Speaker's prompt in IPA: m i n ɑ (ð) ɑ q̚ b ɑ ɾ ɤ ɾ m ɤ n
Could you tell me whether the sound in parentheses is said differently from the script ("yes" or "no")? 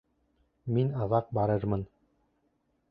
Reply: no